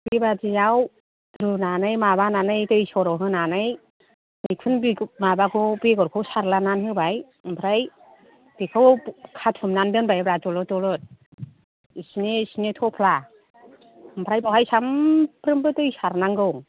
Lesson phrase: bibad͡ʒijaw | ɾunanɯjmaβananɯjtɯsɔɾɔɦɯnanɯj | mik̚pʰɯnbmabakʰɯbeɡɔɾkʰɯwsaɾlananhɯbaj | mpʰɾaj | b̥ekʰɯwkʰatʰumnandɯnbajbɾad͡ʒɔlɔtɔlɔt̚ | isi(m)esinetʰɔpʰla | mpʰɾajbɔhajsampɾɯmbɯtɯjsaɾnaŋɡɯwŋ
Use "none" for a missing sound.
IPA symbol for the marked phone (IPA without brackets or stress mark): n